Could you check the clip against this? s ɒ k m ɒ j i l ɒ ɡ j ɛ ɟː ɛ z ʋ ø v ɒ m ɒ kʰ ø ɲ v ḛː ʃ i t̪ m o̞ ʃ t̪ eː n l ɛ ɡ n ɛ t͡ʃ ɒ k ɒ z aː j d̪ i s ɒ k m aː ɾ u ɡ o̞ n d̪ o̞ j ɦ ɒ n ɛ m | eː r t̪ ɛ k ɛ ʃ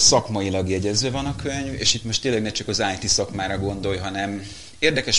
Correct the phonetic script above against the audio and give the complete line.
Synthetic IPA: s ɒ k m ɒ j i l ɒ ɡ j ɛ ɟ ɛ z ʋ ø v ɒ n ɒ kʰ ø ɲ v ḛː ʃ i t̪ m o̞ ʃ t̪ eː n l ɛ ɡ n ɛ t͡ʃ ɒ k ɒ z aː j t̪ i s ɒ k m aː ɾ ɒ ɡ o̞ n d̪ o̞ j ɦ ɒ n ɛ m | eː r d̪ ɛ k ɛ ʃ